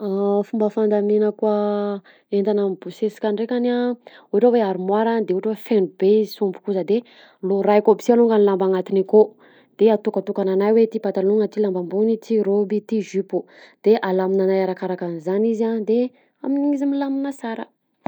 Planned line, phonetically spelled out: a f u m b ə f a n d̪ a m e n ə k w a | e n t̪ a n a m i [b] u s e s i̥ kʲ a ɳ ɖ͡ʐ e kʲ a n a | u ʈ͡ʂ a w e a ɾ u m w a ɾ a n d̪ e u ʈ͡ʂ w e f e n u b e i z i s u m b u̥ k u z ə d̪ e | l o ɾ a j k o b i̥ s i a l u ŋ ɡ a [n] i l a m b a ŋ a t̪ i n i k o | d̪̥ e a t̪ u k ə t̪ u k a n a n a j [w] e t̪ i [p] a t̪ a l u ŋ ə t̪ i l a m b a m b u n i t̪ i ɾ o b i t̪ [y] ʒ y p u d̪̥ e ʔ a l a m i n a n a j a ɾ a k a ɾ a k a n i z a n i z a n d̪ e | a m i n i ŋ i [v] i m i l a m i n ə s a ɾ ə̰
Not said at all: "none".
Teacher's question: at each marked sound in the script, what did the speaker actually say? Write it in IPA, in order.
b, n, w, p, i, z

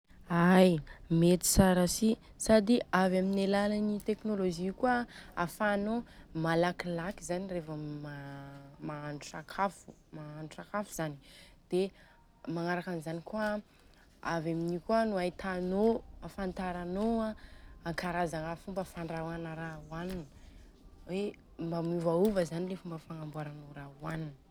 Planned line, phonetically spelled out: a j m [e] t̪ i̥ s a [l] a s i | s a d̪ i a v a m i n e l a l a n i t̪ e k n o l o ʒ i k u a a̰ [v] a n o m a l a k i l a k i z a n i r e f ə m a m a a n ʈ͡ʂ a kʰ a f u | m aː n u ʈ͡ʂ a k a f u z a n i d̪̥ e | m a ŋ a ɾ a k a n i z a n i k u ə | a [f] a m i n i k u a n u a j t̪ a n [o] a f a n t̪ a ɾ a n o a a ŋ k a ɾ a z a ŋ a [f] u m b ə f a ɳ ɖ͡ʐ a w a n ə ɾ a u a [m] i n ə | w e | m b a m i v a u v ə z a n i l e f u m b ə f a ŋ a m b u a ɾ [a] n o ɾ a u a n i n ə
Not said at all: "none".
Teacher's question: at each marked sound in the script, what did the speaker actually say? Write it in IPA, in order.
e, ɾ, f, v, o, f, n, a

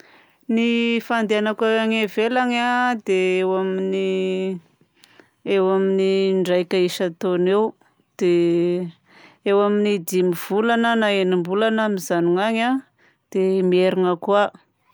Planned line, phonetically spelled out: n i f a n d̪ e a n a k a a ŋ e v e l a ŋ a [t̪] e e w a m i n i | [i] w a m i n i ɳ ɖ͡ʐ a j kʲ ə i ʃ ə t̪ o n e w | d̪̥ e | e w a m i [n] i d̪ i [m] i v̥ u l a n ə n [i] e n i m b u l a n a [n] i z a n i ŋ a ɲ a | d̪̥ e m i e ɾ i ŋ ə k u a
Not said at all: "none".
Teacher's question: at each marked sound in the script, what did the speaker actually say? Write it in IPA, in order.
d̪, e, n, m, a, m

